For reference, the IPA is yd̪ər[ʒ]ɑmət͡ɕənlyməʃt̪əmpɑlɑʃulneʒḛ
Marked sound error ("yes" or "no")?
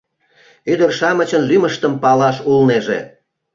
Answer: yes